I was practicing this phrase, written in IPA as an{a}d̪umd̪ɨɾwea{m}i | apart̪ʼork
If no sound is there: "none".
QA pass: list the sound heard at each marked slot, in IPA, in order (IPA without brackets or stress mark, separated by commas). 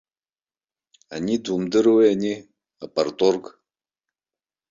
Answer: i, n